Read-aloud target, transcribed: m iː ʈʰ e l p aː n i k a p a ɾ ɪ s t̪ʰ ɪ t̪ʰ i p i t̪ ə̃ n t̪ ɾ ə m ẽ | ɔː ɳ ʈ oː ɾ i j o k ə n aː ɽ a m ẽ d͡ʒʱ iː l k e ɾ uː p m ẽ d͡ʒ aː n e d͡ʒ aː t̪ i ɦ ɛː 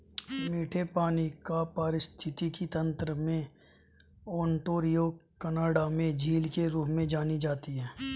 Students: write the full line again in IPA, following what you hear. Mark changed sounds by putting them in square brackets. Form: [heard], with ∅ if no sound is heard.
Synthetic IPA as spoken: m iː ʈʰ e [∅] p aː n i k a p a ɾ ɪ s t̪ʰ ɪ [t̪] i [k] i t̪ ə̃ n t̪ ɾ ə m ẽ | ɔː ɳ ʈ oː ɾ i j o k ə n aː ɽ a m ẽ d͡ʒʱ iː l k e ɾ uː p m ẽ d͡ʒ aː n [i] d͡ʒ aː t̪ i ɦ ɛː